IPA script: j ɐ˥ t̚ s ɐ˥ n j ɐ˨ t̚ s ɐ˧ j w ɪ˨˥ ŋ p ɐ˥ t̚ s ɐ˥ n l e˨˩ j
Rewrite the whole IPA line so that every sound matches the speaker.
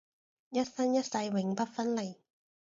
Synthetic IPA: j ɐ˥ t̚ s ɐ˥ n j ɐ˥ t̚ s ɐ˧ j w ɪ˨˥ ŋ p ɐ˥ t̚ f ɐ˥ n l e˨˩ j